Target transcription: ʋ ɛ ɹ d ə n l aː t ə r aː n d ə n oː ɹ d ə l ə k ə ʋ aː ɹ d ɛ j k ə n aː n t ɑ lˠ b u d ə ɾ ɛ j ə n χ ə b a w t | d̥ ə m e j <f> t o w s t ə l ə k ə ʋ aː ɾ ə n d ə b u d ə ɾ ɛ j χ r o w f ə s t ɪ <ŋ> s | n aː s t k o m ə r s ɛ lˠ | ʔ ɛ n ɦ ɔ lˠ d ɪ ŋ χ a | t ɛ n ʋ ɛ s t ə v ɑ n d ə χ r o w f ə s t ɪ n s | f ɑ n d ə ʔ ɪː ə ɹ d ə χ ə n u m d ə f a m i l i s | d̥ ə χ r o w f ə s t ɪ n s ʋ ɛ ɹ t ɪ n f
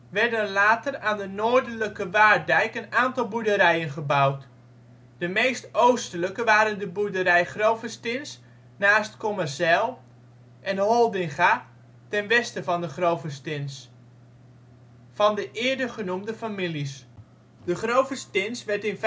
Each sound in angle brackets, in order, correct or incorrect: incorrect: s, incorrect: n

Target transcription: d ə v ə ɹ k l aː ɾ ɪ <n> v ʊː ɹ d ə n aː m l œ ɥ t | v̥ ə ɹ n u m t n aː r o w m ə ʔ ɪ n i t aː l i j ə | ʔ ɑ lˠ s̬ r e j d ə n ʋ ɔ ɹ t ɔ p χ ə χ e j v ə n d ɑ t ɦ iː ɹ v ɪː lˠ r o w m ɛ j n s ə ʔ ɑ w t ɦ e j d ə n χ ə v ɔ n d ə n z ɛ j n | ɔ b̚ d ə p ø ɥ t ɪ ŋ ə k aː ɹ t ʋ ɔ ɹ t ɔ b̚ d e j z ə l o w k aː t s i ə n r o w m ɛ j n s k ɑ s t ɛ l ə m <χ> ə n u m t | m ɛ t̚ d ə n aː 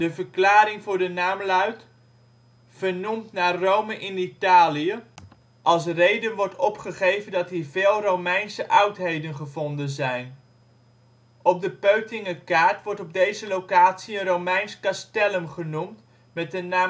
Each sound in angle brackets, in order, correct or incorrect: incorrect: ŋ, correct

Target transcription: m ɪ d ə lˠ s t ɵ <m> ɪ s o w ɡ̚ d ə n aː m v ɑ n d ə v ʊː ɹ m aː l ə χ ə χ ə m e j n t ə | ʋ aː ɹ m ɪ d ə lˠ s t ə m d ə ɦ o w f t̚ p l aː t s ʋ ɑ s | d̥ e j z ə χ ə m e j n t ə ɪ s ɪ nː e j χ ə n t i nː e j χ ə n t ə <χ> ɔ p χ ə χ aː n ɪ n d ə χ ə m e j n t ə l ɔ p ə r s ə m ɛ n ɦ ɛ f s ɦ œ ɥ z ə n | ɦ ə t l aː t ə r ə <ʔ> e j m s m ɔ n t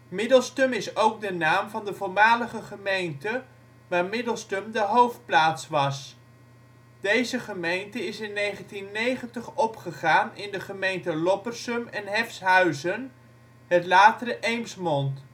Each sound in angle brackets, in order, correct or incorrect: correct, correct, correct

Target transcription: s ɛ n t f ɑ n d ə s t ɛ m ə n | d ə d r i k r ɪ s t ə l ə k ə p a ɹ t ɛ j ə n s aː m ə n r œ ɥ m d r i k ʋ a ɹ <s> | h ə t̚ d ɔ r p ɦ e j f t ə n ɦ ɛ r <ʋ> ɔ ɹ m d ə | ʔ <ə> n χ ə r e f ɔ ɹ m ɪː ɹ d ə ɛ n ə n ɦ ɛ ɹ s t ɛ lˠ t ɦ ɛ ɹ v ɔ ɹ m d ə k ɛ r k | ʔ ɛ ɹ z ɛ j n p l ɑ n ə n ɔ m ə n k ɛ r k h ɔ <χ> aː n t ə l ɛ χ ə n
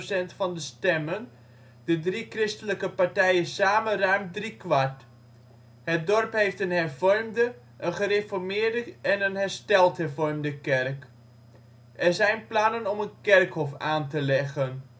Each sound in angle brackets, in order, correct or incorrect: incorrect: t, incorrect: v, correct, incorrect: f

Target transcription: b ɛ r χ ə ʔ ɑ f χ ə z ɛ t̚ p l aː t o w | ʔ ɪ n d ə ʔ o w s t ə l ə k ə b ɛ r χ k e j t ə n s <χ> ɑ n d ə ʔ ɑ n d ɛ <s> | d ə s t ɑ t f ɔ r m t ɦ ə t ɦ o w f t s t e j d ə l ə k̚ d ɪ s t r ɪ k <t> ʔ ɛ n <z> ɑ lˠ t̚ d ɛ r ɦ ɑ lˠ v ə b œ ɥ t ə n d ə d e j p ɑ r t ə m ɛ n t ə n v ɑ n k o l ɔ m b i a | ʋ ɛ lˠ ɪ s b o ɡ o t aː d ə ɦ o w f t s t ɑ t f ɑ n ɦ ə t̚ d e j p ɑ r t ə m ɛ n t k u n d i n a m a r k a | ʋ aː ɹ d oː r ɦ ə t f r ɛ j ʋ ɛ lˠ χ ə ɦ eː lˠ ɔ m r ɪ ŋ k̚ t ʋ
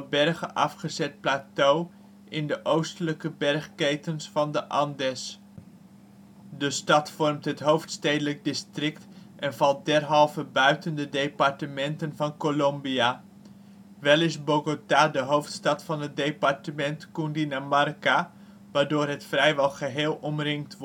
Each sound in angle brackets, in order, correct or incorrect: incorrect: f, correct, correct, incorrect: v

